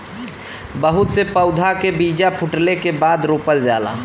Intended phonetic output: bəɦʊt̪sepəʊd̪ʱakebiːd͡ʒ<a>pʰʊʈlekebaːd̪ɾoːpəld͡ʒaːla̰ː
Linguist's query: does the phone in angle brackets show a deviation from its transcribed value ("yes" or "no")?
no